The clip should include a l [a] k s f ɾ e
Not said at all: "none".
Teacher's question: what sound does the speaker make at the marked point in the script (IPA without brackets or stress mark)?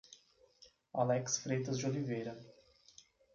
ɛ